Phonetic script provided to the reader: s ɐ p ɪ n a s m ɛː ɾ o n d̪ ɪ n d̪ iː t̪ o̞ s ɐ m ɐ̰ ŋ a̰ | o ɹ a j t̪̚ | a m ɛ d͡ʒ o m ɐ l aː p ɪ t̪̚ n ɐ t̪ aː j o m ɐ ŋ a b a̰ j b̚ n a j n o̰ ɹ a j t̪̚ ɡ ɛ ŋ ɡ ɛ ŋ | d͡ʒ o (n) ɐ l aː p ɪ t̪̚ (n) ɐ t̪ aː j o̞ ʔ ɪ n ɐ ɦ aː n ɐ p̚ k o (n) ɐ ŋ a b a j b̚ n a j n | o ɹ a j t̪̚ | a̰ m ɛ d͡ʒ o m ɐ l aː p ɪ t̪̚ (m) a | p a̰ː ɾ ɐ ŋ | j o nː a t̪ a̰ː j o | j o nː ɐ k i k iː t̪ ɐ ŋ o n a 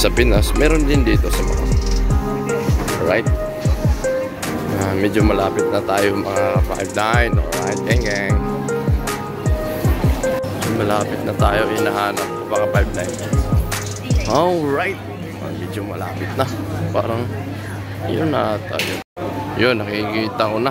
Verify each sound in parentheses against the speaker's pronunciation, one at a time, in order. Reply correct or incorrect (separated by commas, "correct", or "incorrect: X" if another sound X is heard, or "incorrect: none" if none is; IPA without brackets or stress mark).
incorrect: m, correct, incorrect: m, incorrect: n